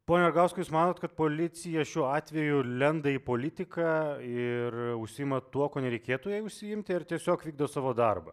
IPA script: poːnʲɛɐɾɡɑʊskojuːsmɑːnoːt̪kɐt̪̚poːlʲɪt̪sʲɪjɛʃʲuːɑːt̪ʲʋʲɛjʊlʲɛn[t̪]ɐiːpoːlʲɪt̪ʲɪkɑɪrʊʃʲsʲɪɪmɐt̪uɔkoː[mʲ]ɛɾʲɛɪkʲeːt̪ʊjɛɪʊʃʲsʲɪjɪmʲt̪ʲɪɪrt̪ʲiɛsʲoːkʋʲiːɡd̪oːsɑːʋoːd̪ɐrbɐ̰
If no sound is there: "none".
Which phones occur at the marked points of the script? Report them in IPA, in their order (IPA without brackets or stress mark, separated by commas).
d̪, nʲ